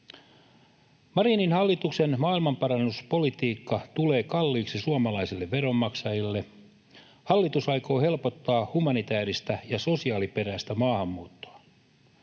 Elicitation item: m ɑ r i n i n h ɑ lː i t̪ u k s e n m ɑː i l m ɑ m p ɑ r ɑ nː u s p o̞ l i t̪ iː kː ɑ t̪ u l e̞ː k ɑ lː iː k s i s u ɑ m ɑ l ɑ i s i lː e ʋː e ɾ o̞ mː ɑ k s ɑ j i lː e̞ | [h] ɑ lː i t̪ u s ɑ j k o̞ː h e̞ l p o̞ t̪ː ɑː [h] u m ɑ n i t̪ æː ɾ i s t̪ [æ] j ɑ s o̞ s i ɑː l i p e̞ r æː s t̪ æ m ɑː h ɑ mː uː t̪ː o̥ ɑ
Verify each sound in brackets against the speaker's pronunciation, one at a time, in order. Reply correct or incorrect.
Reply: correct, correct, correct

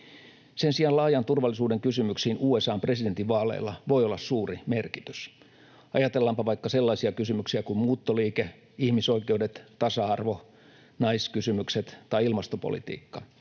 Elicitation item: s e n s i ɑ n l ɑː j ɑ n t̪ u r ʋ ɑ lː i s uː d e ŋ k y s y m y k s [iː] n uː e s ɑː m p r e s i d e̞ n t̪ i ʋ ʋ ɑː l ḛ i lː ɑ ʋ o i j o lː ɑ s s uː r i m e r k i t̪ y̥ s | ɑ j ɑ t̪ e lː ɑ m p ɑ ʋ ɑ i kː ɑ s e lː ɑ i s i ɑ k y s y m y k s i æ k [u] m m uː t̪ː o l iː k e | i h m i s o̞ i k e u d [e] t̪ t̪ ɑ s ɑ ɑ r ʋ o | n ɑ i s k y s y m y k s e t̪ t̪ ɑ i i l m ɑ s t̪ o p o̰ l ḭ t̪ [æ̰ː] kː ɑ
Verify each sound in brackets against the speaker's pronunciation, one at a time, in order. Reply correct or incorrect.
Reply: correct, correct, correct, incorrect: ḭː

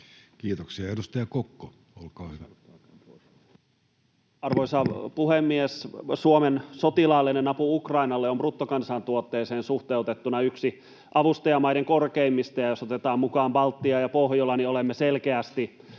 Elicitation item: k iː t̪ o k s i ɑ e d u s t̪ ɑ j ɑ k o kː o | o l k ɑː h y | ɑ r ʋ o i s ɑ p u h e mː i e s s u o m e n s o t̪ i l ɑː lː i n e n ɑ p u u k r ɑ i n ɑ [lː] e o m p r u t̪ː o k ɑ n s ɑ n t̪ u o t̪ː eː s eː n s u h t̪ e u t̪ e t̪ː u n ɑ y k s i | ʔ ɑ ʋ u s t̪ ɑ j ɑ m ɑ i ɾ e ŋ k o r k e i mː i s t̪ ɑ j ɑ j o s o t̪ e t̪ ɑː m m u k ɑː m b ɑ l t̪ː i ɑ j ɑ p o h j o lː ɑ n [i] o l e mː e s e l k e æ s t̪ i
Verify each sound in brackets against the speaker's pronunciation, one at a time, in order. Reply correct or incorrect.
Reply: correct, correct

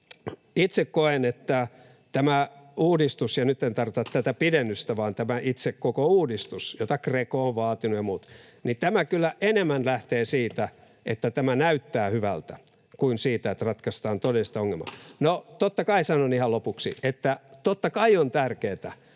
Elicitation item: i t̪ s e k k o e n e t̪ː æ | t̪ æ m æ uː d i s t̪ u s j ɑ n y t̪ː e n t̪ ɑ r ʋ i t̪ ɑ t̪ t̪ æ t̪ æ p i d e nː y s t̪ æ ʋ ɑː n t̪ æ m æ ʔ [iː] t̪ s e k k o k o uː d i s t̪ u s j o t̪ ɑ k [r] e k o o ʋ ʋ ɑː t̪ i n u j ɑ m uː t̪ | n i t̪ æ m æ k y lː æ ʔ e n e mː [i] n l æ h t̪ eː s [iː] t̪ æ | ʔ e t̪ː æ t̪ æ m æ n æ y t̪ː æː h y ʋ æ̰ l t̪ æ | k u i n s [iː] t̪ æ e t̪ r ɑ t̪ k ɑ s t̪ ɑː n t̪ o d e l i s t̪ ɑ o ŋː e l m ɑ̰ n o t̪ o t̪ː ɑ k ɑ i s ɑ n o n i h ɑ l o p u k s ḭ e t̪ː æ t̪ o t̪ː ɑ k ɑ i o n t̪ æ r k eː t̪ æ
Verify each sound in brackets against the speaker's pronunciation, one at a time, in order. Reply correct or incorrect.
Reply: incorrect: i, correct, incorrect: æ, correct, correct

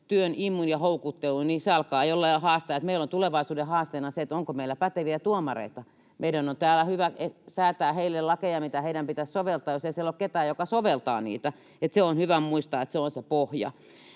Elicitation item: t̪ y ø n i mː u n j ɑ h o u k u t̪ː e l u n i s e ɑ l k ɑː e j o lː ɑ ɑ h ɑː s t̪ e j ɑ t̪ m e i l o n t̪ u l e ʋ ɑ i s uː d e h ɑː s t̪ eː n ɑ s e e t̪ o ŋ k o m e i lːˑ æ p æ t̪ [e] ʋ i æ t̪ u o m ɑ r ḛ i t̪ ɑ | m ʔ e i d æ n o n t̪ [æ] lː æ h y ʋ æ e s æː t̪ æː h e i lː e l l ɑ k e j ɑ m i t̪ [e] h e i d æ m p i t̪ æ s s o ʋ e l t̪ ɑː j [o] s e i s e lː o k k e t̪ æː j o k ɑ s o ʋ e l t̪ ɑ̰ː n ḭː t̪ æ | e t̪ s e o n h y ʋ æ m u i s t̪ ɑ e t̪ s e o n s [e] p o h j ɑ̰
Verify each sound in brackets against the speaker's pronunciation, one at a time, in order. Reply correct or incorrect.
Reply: correct, incorrect: æː, incorrect: æ, correct, correct

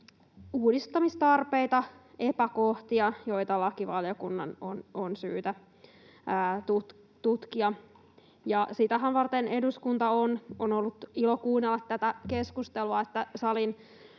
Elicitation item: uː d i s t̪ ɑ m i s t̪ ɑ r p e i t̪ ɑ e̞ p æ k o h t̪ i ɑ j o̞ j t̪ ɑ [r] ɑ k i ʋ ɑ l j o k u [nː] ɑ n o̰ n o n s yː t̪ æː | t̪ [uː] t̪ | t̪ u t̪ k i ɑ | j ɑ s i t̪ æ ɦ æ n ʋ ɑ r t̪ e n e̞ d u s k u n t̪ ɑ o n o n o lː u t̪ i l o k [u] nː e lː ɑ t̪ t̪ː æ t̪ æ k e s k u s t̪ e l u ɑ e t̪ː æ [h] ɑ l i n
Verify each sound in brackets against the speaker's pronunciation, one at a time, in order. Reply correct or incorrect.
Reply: incorrect: l, correct, incorrect: u, incorrect: uː, incorrect: s

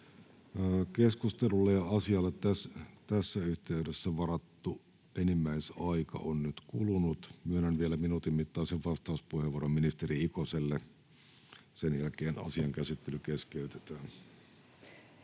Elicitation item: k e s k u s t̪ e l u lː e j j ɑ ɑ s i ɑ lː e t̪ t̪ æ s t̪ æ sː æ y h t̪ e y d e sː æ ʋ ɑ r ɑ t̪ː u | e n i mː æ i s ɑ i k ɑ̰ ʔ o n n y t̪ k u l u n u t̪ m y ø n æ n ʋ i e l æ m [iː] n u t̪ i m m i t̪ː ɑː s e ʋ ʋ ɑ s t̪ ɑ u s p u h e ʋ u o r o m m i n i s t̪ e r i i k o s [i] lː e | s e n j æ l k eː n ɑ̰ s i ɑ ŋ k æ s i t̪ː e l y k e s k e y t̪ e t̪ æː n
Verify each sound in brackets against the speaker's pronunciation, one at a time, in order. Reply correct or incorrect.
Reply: incorrect: i, incorrect: e

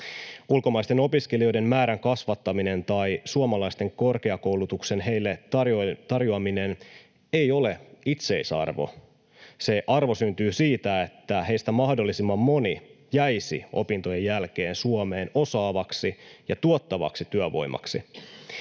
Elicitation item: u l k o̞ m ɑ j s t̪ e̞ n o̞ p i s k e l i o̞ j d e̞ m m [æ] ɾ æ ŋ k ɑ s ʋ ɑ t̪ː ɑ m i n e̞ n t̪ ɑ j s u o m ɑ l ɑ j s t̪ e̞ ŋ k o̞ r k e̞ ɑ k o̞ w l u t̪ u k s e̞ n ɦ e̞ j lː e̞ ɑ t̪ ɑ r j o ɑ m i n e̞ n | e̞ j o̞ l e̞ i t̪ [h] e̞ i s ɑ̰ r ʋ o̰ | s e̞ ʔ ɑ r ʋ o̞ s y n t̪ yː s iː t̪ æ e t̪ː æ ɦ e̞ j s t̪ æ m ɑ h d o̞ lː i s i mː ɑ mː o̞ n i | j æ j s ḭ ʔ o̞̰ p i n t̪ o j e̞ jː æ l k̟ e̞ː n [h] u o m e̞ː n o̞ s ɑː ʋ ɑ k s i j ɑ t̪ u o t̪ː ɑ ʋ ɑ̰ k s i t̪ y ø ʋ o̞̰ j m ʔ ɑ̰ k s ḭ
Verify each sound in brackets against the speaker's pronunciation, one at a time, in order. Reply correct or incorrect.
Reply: incorrect: æː, incorrect: s, incorrect: s

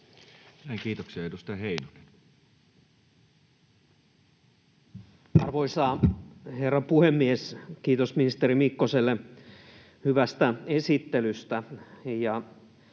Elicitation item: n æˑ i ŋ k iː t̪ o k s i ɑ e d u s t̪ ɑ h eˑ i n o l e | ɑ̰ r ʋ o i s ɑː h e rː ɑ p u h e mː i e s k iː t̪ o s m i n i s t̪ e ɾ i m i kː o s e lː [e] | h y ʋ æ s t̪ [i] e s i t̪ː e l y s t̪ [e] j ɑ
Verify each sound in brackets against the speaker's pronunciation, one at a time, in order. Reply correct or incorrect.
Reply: correct, incorrect: æ, incorrect: æ

